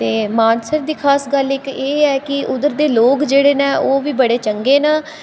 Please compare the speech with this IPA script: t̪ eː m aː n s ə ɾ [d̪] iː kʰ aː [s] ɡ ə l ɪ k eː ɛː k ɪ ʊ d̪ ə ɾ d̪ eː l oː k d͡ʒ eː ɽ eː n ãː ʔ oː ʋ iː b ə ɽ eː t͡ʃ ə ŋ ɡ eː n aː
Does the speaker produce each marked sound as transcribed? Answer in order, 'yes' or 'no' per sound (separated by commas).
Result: yes, yes